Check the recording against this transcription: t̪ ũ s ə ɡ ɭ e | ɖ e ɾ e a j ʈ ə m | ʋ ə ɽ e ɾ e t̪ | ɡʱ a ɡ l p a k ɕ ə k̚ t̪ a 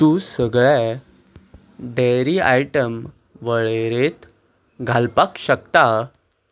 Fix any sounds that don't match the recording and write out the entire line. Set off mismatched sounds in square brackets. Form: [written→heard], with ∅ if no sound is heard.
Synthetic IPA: t̪ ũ s ə ɡ ɭ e | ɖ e ɾ [e→i] a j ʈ ə m | ʋ ə [ɽ→ɭ] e ɾ e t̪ | ɡʱ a [ɡ→∅] l p a k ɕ ə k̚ t̪ a